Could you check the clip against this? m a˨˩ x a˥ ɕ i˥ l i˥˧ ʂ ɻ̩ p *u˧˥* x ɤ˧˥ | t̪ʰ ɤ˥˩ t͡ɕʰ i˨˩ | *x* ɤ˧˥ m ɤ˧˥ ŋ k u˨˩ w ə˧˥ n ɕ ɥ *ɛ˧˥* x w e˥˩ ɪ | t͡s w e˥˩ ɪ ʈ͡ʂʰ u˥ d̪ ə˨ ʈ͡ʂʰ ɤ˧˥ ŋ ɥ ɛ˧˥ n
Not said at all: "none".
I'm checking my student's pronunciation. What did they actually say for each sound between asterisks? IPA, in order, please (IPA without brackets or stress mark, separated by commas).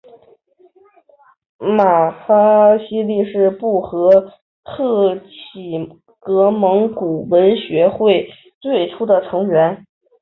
u˥˩, k, ɛ˧˥